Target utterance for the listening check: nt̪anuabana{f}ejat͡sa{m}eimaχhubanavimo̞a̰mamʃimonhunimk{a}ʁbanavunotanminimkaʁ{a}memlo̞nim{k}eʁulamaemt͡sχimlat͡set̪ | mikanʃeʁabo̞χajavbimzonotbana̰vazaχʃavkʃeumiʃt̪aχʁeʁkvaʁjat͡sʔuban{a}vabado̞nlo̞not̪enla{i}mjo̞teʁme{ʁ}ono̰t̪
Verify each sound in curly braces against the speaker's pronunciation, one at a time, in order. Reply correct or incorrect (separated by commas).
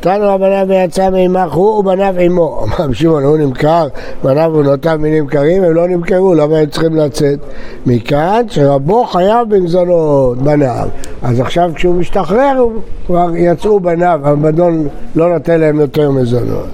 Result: incorrect, correct, correct, incorrect, correct, correct, incorrect, incorrect